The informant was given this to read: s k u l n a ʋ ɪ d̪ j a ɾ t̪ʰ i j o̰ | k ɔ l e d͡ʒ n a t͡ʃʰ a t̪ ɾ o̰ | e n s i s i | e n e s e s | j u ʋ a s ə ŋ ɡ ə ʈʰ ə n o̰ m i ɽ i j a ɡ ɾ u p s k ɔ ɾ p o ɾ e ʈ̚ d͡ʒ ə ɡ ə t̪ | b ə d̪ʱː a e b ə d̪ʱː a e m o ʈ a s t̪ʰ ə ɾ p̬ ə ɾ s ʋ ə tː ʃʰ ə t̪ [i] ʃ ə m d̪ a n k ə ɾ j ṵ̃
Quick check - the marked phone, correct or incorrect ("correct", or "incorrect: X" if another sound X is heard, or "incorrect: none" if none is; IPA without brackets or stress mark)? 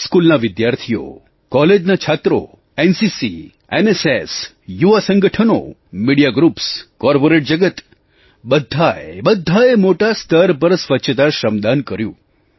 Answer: incorrect: a